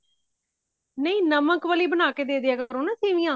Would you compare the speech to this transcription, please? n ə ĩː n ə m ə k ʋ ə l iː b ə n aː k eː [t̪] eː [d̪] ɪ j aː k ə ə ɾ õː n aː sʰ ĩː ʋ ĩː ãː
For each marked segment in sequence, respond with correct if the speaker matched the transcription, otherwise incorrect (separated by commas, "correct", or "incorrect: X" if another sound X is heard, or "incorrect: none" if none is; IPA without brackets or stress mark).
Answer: incorrect: d̪, correct